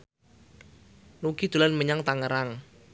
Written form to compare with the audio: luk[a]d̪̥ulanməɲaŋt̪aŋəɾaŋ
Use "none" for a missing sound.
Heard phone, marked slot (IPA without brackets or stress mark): i